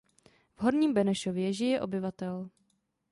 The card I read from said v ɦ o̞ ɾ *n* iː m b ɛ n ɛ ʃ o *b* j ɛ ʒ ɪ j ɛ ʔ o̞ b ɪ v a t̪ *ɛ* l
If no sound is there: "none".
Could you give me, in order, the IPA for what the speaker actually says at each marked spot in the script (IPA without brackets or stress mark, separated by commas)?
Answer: ɲ, v, ɛ